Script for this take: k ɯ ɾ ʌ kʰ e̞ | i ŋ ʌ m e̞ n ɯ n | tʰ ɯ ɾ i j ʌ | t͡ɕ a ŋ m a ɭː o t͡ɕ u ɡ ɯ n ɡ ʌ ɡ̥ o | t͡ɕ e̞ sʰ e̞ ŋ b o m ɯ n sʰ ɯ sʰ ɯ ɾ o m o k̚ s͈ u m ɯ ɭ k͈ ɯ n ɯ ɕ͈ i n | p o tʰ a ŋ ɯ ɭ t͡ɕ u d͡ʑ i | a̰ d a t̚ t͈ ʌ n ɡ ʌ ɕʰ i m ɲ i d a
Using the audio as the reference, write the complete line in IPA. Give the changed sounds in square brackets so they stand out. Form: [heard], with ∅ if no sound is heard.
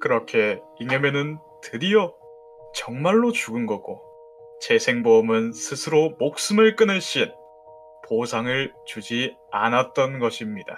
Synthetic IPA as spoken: k ɯ ɾ ʌ kʰ e̞ | i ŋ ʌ m e̞ n ɯ n | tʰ ɯ ɾ i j ʌ | t͡ɕ [ʌ] ŋ m a ɭː o t͡ɕ u ɡ ɯ n ɡ ʌ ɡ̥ o | t͡ɕ e̞ sʰ e̞ ŋ b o m ɯ n sʰ ɯ sʰ ɯ ɾ o m o k̚ s͈ [ɯ] m ɯ ɭ k͈ ɯ n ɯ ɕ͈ i n | p o [sʰ] a ŋ ɯ ɭ t͡ɕ u d͡ʑ i | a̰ [n] a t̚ t͈ ʌ n ɡ ʌ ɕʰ i m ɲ i d a